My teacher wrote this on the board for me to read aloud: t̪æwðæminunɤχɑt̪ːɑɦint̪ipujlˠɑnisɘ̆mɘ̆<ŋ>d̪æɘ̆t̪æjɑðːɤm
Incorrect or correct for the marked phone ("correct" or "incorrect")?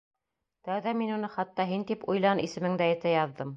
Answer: correct